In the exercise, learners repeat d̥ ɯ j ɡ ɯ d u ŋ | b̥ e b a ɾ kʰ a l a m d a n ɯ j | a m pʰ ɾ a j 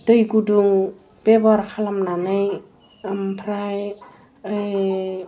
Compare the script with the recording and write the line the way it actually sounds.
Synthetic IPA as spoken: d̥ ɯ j ɡ u d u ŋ | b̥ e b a ɾ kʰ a l a m n a n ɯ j | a m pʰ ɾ a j

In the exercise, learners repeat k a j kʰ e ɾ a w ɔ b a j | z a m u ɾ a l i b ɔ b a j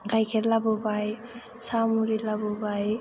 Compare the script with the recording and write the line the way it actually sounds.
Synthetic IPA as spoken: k a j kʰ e l a b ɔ b a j | s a m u ɾ i l a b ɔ b a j

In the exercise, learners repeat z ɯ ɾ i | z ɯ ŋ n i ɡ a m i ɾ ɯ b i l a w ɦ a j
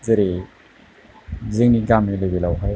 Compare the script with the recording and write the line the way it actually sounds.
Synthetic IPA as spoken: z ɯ ɾ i | z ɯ ŋ n i ɡ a m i l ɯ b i l a w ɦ a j

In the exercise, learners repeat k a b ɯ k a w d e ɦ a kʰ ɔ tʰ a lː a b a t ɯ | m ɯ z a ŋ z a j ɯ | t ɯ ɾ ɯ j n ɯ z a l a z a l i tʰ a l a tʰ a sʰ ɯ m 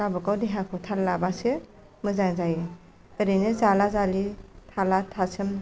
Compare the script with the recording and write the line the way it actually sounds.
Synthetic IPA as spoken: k a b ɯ k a w d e ɦ a kʰ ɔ tʰ a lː a b a s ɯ | m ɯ z a ŋ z a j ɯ | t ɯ ɾ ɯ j n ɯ z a l a z a l i tʰ a l a tʰ a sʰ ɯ m

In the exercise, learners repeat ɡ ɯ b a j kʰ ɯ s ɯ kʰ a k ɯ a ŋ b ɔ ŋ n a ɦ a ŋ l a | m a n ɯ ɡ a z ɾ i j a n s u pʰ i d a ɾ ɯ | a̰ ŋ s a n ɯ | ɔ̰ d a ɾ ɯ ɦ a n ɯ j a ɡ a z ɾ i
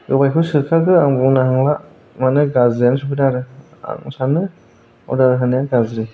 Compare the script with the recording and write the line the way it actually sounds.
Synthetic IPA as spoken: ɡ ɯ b a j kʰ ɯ s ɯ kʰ a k ɯ a ŋ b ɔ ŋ n a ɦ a ŋ l a | m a n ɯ ɡ a z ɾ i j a n s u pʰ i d a ɾ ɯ | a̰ ŋ s a n ɯ | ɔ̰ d a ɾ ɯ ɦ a n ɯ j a ɡ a z ɾ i

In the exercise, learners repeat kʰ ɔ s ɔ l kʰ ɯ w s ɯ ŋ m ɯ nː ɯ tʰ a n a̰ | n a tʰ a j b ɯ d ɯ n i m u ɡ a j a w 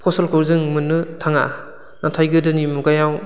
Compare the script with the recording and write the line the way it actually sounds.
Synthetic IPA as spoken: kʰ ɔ s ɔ l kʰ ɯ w z ɯ ŋ m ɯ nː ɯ tʰ a ŋ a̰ | n a tʰ a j ɡ ɯ d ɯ n i m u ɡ a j a w

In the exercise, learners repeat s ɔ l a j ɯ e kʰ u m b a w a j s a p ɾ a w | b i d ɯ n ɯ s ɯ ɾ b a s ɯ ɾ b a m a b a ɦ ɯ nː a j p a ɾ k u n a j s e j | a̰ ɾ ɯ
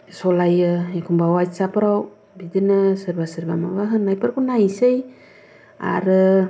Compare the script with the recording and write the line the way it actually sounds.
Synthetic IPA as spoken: s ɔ l a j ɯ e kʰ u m b a w a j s a p ɾ a w | b i d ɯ n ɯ s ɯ ɾ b a s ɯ ɾ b a m a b a ɦ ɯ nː a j p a ɾ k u n a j s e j | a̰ ɾ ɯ

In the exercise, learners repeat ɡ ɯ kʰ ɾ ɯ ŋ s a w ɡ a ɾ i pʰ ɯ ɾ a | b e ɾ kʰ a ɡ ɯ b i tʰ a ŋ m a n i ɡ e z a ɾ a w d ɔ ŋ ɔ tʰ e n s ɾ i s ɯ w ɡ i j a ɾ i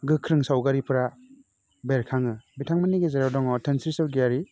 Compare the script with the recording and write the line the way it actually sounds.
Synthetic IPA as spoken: ɡ ɯ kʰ ɾ ɯ ŋ s a w ɡ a ɾ i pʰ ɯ ɾ a | b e ɾ kʰ a ŋ ɯ b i tʰ a ŋ m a n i ɡ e z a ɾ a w d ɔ ŋ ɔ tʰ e n s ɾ i s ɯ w ɡ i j a ɾ i

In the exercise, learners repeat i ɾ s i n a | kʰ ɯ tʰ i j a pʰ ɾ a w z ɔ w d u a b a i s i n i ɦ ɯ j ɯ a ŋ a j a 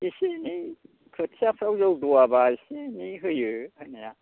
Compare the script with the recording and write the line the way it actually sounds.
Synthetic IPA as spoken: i s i n i | kʰ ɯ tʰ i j a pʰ ɾ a w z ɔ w d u a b a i s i n i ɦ ɯ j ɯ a n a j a

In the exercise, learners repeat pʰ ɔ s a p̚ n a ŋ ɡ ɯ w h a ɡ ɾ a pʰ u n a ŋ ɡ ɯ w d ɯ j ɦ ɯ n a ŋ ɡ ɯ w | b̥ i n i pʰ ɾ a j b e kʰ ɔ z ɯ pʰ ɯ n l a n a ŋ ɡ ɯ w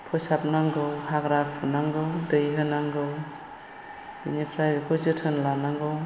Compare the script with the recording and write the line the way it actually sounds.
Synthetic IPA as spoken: pʰ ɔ s a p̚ n a ŋ ɡ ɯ w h a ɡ ɾ a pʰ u n a ŋ ɡ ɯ w d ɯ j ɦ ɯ n a ŋ ɡ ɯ w | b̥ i n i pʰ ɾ a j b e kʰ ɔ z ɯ tʰ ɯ n l a n a ŋ ɡ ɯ w

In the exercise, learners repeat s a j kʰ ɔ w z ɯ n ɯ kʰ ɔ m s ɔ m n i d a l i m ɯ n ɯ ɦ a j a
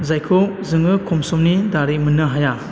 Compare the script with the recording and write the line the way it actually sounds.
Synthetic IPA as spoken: z a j kʰ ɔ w z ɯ ŋ ɯ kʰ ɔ m s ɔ m n i d a ɾ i m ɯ n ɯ ɦ a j a

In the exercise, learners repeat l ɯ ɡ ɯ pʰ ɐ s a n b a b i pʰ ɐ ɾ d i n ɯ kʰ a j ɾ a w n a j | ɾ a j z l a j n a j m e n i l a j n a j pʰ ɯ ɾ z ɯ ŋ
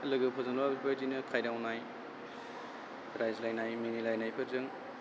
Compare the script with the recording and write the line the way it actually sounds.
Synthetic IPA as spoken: l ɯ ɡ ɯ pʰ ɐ z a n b a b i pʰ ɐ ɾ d i n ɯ kʰ a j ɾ a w n a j | ɾ a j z l a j n a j m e n i l a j n a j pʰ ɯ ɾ z ɯ ŋ

